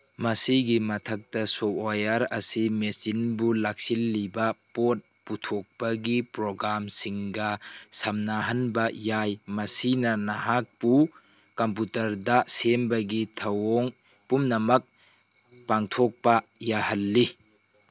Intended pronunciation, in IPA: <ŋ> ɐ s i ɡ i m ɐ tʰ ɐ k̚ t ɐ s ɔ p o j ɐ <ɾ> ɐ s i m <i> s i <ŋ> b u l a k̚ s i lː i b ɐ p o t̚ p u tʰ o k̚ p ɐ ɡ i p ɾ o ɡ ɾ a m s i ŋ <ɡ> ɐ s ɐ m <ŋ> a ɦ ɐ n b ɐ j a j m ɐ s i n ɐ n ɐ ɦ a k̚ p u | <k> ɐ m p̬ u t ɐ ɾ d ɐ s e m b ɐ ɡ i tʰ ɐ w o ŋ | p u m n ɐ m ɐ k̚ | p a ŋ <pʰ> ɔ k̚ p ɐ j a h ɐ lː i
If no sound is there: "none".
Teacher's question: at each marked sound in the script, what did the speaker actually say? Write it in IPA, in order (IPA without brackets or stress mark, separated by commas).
m, ɾ, e, n, ɡ, n, k, tʰ